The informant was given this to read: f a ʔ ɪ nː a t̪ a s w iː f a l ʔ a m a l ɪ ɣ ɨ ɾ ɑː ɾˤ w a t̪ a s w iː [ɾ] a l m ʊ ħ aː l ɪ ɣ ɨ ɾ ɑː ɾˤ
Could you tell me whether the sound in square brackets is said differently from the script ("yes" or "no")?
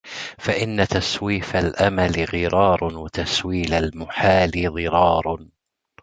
yes